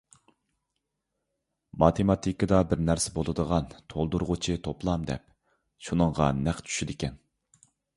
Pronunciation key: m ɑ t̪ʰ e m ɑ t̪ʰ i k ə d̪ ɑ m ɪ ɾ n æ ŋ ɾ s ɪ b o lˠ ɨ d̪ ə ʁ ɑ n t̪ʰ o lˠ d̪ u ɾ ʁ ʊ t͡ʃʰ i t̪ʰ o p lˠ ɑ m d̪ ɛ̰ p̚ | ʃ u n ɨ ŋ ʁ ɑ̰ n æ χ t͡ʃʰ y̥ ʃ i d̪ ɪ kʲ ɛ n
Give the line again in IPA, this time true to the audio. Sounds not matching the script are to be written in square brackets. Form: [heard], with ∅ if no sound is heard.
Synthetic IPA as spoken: m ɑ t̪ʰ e m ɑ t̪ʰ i k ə d̪ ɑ [b] ɪ ɾ n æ [∅] ɾ s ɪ b o lˠ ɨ d̪ ə ʁ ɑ n t̪ʰ o lˠ d̪ u ɾ ʁ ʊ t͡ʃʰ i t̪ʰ o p lˠ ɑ m d̪ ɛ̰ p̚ | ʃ u n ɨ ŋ ʁ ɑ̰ n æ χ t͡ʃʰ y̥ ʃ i d̪ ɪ kʲ ɛ n